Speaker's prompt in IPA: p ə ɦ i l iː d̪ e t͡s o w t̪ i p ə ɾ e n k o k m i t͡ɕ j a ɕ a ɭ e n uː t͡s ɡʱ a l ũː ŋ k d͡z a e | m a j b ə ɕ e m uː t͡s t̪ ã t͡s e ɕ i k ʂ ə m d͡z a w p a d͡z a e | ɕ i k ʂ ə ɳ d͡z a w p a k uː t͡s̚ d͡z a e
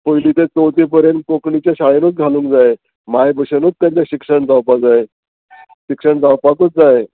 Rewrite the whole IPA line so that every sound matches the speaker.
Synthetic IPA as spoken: p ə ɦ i l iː t̪ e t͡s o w t̪ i p ə ɾ e n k o k ɳ i t͡ɕ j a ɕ a ɭ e n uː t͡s ɡʱ a l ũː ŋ k d͡z a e | m a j b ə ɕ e n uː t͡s t̪ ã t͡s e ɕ i k ʂ ə ɳ d͡z a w p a d͡z a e | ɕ i k ʂ ə ɳ d͡z a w p a k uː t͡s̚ d͡z a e